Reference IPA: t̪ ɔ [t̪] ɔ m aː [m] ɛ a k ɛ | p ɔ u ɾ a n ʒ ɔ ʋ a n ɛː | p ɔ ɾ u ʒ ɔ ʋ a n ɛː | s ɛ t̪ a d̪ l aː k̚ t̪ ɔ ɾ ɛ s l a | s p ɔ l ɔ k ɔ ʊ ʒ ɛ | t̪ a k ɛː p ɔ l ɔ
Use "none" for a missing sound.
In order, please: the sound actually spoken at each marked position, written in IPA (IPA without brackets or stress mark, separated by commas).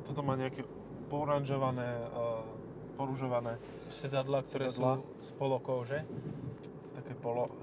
t̪, ɲ